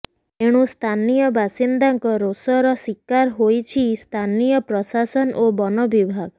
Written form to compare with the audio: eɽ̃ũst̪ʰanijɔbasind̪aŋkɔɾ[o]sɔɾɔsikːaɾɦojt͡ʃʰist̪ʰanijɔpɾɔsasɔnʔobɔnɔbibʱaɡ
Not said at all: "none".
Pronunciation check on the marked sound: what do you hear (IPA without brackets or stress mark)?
o